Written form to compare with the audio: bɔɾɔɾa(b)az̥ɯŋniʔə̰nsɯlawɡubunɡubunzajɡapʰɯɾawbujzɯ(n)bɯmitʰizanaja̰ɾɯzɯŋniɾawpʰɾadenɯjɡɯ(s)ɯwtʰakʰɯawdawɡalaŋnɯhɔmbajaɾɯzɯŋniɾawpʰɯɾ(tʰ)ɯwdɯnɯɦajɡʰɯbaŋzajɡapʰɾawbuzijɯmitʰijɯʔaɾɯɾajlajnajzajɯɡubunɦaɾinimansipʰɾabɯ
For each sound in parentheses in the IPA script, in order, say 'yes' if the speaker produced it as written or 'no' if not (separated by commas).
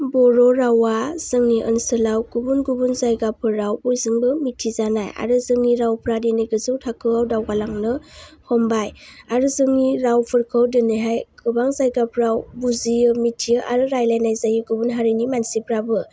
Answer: no, no, no, no